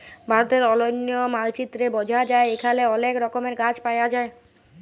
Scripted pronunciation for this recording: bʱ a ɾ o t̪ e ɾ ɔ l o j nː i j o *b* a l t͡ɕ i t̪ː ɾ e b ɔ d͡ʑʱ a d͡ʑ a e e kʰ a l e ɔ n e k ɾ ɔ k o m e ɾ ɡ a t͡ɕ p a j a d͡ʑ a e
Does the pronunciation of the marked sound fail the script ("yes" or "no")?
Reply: yes